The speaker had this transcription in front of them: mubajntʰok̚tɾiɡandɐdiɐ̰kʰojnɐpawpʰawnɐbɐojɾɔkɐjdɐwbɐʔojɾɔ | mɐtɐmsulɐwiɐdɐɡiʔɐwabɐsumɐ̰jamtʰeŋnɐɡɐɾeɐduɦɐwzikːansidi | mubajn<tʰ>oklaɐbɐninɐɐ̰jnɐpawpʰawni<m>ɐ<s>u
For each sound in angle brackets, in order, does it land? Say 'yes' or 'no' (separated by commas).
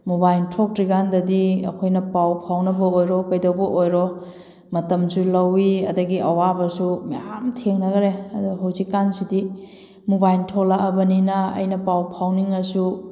yes, no, yes